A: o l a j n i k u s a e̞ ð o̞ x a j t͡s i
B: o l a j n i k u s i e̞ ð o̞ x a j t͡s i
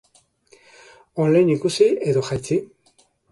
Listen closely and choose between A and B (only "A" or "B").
B